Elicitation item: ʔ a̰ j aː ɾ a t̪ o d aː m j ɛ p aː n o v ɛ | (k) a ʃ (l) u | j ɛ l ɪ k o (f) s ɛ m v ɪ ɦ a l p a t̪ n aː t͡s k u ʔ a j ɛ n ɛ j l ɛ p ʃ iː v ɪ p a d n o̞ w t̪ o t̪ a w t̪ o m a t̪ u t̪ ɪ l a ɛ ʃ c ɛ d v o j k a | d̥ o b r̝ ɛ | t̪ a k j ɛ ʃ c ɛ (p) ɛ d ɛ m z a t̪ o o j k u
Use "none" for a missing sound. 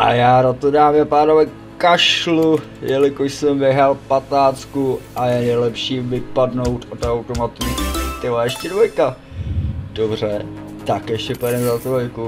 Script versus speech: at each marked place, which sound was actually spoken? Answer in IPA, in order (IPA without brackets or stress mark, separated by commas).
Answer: k, l, ʃ, p